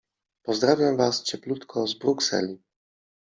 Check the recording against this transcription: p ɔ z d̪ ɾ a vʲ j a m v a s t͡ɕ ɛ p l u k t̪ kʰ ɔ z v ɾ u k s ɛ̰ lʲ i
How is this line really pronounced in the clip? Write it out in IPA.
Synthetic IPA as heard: p ɔ z d̪ ɾ a vʲ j a m v a s t͡ɕ ɛ p l u t̪ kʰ ɔ z b ɾ u k s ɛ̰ lʲ i